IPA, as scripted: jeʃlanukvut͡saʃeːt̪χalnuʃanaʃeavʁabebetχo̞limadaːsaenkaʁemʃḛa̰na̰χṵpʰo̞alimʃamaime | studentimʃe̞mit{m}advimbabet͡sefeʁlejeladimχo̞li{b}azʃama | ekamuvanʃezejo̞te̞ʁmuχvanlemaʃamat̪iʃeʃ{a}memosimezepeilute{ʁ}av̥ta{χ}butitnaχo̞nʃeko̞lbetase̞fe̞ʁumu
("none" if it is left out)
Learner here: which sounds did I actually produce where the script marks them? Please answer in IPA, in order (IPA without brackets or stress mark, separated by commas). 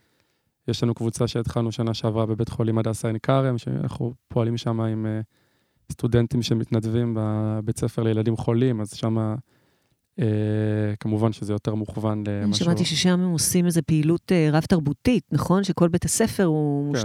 n, m, a, ʁ, ʁ